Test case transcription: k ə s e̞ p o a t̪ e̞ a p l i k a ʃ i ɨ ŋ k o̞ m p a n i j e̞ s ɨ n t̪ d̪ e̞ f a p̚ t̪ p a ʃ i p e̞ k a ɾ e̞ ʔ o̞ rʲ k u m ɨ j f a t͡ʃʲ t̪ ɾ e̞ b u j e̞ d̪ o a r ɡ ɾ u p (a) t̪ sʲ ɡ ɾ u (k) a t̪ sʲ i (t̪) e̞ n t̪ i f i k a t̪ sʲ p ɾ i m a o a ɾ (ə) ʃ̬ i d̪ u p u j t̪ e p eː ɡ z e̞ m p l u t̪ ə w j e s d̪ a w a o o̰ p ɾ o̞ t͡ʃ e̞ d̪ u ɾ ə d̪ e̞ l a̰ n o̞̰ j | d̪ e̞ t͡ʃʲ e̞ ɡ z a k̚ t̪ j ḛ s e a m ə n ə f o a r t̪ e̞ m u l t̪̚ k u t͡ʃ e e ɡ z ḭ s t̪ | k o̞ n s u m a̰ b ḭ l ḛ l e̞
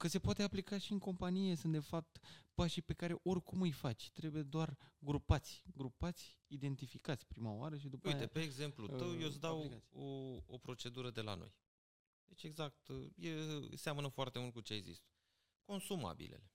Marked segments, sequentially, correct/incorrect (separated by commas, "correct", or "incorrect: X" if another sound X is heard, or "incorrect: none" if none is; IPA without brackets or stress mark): correct, incorrect: p, incorrect: d̪, correct